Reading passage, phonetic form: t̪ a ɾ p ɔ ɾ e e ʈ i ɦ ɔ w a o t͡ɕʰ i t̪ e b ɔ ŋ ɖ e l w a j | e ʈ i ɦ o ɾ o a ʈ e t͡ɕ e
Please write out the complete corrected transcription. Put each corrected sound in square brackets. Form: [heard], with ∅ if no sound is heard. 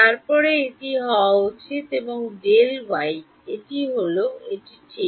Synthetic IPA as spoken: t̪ a ɾ p ɔ ɾ e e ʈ i ɦ ɔ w a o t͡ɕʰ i t̪ e b [o] ŋ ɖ e l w a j | e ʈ i ɦ o [l] o [e] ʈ [i] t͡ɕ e